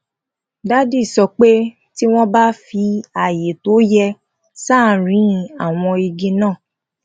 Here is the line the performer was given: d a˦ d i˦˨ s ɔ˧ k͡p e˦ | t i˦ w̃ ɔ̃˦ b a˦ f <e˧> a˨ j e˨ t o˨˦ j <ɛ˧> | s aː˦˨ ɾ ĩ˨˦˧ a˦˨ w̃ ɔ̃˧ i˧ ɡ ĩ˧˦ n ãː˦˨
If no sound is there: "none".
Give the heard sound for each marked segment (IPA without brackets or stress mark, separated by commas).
i˧, ɛ˧